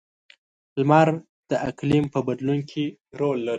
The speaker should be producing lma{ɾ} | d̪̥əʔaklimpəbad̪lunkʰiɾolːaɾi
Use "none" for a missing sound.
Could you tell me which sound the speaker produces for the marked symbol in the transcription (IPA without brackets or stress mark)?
ɾ